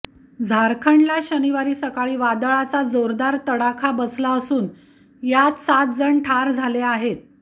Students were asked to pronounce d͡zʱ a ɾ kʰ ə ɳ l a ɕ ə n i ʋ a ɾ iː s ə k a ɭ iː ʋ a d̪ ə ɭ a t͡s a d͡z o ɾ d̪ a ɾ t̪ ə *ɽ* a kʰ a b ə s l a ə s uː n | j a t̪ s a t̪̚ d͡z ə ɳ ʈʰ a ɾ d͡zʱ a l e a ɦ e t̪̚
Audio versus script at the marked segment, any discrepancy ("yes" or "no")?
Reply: no